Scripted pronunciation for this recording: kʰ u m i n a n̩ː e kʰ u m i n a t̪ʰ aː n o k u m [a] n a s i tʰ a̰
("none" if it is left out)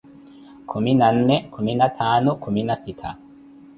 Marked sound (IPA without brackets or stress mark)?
i